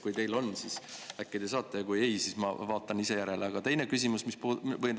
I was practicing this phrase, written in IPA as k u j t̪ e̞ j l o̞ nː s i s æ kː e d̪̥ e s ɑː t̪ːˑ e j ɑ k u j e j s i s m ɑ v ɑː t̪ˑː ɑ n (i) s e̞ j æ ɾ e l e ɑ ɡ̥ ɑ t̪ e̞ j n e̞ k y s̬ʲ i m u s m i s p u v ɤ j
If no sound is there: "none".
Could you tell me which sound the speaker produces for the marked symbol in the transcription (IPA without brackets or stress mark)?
i